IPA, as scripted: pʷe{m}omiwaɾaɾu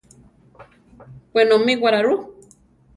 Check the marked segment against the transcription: incorrect: n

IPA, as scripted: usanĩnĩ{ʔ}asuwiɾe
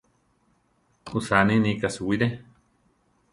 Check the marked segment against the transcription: incorrect: k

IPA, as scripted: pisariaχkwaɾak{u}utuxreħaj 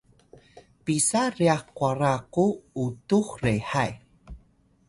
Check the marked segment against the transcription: correct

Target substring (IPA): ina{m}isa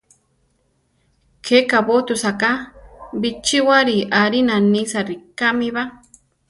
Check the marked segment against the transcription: incorrect: n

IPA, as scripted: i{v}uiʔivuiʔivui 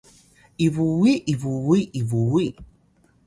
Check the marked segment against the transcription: correct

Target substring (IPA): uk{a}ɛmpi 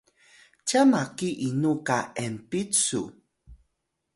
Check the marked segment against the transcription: correct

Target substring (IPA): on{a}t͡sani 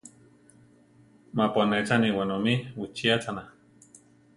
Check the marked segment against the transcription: incorrect: e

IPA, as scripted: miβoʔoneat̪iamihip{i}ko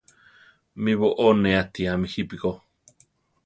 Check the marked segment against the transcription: correct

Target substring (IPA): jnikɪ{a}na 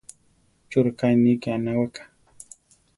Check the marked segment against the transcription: correct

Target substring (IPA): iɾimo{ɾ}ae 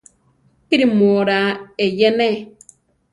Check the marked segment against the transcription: correct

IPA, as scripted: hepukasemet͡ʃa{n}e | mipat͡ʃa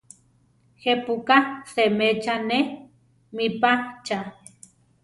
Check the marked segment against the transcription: correct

